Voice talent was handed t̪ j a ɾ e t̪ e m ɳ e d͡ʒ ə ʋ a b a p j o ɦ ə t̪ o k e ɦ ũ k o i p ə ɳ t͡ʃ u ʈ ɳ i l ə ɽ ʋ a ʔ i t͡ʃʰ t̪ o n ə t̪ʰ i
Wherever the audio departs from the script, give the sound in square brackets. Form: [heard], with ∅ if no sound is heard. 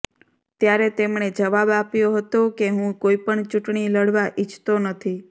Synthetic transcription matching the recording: t̪ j a ɾ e t̪ e m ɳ e d͡ʒ ə ʋ a b a p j o ɦ ə t̪ o k e ɦ ũ k o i p ə ɳ t͡ʃ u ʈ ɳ i l ə ɽ ʋ a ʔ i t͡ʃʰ t̪ o n ə t̪ʰ i

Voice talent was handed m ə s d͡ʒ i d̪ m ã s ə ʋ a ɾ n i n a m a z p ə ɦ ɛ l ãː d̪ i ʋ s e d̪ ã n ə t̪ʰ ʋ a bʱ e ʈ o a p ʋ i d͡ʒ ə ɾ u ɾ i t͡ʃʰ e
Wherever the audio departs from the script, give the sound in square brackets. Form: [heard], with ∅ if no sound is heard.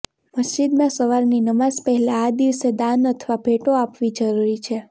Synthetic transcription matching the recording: m ə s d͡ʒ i d̪ m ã s ə ʋ a ɾ n i n [ə] m a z p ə ɦ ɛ l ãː d̪ i ʋ s e d̪ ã n ə t̪ʰ ʋ a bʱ e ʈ o a p ʋ i d͡ʒ ə ɾ u ɾ i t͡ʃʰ e

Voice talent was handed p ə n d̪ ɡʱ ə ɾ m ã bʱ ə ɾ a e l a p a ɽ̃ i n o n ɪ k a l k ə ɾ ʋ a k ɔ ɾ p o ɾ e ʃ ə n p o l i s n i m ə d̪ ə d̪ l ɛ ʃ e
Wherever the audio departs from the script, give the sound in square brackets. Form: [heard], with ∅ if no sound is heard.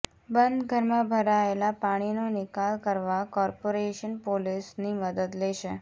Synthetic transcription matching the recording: [b] ə n d̪ ɡʱ ə ɾ m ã bʱ ə ɾ a e l a p a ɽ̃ i n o n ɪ k a l k ə ɾ ʋ a k ɔ ɾ p o ɾ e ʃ ə n p o l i s n i m ə d̪ ə d̪ l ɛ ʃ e

